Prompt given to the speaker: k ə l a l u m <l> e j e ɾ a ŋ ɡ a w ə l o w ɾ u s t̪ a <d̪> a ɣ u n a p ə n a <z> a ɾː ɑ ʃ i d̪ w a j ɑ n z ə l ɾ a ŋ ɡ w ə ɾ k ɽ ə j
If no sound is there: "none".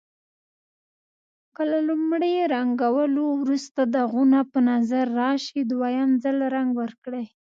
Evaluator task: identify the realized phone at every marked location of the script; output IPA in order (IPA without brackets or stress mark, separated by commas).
ɽ, d̪, z